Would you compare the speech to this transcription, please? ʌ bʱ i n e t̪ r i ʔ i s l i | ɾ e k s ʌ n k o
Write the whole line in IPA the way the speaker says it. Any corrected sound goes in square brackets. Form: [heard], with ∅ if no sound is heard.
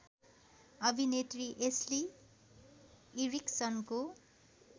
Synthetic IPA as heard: ʌ bʱ i n e t̪ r i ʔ [e] s l i | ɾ [i] k s ʌ n k o